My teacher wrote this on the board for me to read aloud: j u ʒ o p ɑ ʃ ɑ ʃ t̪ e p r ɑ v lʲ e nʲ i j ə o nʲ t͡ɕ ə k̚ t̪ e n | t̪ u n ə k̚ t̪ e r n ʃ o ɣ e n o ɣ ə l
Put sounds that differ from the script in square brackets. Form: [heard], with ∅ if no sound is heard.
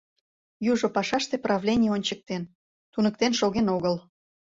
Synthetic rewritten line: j u ʒ o p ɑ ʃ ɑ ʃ t̪ e p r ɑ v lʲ e nʲ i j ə o nʲ t͡ɕ ə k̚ t̪ e n | t̪ u n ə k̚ t̪ e [∅] n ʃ o ɣ e n o ɣ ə l